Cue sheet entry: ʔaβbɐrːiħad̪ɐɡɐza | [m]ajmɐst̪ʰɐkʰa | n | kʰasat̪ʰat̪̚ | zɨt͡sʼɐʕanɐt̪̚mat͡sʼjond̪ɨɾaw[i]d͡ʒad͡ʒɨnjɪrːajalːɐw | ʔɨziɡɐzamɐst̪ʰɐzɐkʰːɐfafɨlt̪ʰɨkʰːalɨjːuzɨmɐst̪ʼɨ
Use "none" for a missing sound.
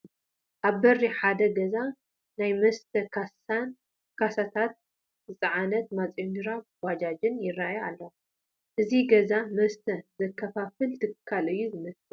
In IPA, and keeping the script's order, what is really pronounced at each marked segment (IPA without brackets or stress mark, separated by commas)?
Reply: n, a